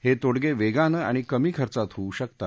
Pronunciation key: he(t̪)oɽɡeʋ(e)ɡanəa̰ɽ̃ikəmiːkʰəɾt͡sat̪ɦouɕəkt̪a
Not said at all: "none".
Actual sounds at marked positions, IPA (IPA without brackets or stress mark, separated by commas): t̪, e